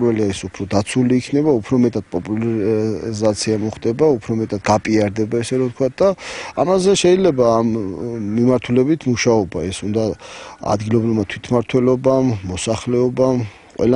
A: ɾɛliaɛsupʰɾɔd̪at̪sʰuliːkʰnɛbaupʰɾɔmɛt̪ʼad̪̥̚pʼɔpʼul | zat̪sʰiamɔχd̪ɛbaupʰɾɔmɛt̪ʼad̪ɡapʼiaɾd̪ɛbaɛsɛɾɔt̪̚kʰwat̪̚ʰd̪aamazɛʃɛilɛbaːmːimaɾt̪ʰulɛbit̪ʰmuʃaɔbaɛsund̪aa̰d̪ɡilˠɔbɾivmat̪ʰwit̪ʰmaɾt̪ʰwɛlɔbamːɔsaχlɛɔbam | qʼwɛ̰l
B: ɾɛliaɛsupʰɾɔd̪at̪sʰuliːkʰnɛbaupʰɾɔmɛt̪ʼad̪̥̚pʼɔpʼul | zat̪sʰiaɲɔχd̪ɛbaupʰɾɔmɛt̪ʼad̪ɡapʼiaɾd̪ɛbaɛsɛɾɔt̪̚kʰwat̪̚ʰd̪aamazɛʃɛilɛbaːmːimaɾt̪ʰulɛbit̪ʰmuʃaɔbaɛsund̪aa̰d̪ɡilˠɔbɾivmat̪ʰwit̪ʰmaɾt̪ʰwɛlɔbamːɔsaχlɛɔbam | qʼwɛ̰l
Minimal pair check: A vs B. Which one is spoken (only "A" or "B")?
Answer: A